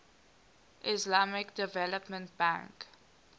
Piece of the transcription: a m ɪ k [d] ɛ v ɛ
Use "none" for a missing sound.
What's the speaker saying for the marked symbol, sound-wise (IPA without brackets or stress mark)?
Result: d